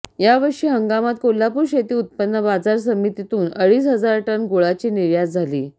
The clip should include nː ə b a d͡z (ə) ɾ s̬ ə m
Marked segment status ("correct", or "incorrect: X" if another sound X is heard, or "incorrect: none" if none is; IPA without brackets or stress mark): incorrect: a